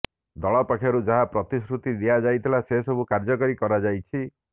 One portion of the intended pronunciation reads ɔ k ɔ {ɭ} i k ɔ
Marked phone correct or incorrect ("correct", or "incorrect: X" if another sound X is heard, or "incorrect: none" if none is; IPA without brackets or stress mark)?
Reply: incorrect: ɾ